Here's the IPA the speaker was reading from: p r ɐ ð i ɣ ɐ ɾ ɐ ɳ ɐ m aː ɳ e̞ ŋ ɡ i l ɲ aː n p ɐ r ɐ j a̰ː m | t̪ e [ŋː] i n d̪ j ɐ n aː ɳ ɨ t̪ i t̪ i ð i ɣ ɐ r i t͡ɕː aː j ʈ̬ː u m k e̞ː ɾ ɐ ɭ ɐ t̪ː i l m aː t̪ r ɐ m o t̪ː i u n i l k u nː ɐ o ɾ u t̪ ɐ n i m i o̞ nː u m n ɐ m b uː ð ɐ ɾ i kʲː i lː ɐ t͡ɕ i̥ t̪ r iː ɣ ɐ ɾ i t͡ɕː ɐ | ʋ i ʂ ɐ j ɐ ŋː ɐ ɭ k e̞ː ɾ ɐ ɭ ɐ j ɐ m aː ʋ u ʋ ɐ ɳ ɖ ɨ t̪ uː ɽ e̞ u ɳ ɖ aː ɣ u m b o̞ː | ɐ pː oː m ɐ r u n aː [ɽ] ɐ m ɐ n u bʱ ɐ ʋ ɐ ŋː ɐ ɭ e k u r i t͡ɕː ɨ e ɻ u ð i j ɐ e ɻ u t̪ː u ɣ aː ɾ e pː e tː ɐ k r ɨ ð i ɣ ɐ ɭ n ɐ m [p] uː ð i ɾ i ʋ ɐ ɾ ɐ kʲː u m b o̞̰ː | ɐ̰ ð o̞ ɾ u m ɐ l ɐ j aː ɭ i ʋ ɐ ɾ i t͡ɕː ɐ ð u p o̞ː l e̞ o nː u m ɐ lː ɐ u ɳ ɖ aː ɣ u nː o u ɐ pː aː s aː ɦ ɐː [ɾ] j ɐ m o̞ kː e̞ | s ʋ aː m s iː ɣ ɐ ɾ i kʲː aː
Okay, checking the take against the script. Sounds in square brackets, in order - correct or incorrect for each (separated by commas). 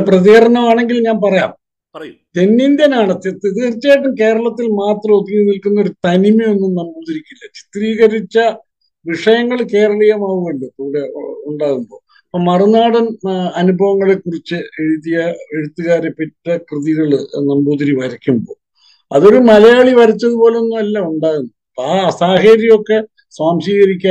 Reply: incorrect, correct, incorrect, correct